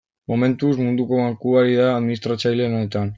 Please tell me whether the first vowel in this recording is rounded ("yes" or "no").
yes